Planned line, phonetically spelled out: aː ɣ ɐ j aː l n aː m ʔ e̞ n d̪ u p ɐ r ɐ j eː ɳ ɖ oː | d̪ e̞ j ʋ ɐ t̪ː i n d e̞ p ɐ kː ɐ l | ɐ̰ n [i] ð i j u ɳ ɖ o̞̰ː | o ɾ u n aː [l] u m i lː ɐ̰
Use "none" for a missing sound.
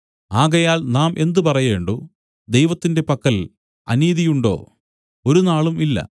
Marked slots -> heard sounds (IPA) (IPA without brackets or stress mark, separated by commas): iː, ɭ